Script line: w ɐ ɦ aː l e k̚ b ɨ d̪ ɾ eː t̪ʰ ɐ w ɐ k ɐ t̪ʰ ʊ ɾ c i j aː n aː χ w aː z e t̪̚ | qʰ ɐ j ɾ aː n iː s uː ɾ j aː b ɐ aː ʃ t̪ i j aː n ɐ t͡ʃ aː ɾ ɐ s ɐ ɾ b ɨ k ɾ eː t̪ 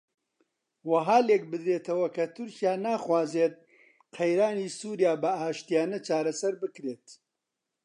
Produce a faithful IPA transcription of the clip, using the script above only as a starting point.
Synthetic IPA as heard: w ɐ ɦ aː l e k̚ b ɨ d̪ ɾ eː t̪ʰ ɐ w ɐ k ɐ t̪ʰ ʊ ɾ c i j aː n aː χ w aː z e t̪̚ | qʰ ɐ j ɾ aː n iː s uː ɾ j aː b ɐ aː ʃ t̪ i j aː n ɐ t͡ʃ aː ɾ ɐ s ɐ ɾ b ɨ k ɾ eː t̪